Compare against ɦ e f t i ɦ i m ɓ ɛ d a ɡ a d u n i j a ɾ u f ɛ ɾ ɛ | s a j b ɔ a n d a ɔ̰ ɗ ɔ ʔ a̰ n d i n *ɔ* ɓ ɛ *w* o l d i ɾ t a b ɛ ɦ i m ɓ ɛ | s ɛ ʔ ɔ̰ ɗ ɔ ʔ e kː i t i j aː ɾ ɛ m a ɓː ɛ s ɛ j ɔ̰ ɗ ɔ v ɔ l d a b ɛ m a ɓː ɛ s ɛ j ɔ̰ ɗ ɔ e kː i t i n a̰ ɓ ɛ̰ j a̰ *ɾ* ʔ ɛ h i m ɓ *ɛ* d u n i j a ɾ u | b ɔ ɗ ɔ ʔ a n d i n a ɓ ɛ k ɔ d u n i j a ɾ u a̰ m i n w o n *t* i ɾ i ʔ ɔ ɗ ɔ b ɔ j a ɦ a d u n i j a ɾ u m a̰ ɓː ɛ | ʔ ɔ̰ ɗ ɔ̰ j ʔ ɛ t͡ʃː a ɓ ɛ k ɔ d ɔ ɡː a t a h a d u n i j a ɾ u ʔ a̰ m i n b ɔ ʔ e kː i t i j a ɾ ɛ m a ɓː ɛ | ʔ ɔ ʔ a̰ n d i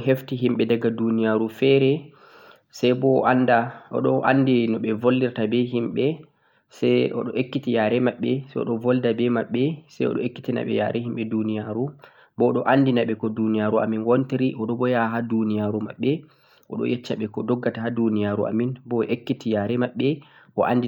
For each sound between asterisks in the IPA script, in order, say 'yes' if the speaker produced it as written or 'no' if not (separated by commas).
yes, no, yes, yes, yes